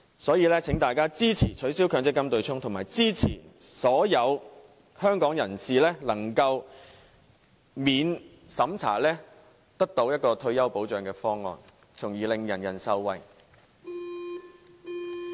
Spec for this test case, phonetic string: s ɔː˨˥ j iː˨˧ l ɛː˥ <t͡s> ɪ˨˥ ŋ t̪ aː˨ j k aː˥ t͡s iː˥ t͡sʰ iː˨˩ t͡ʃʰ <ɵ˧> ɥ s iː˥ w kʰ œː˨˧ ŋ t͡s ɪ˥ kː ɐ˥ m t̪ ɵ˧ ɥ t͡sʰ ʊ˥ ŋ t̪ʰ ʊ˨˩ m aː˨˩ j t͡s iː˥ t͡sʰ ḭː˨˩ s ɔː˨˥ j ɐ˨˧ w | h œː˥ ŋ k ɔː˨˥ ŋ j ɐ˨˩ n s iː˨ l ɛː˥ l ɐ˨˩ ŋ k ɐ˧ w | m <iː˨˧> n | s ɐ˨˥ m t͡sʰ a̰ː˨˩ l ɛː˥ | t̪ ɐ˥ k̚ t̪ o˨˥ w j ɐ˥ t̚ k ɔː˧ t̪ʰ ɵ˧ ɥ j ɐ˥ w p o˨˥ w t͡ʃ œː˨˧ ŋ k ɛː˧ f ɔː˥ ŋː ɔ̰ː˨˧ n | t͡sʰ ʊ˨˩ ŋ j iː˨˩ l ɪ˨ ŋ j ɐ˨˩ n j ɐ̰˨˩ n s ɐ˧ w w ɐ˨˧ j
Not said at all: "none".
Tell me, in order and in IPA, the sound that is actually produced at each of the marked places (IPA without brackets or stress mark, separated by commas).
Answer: t͡sʰ, ɵ˨˥, iː˨˧